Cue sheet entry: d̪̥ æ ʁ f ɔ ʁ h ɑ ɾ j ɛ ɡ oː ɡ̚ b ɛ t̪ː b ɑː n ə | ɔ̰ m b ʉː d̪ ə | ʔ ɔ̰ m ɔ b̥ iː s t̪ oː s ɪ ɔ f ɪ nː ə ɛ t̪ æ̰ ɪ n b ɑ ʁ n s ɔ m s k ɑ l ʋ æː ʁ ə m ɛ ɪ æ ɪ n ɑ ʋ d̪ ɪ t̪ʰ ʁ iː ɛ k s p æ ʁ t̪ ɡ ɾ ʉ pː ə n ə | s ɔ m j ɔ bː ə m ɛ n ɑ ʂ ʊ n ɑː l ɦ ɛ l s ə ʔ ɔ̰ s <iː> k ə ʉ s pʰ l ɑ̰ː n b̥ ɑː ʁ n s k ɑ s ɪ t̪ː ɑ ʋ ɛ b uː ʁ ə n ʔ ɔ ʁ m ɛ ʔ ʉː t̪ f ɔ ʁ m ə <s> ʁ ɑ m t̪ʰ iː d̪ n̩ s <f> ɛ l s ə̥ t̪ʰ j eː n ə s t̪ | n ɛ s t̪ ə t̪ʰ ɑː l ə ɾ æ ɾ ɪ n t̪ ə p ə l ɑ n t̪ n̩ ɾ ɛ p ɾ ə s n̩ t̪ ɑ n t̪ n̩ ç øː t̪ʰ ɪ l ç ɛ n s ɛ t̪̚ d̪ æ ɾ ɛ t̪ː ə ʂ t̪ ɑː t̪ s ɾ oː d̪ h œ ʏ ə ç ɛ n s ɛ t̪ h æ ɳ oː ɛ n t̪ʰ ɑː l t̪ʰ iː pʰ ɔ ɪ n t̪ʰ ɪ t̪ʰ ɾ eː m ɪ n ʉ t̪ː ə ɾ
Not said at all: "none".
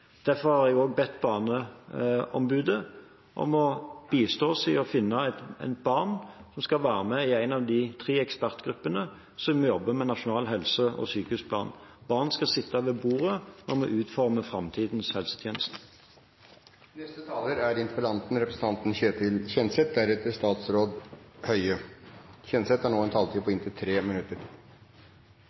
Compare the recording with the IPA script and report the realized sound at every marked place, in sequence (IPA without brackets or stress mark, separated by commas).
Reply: yː, f, h